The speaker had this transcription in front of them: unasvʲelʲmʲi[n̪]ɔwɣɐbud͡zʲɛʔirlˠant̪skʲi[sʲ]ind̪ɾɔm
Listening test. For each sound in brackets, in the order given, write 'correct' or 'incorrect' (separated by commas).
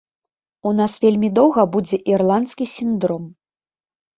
incorrect, correct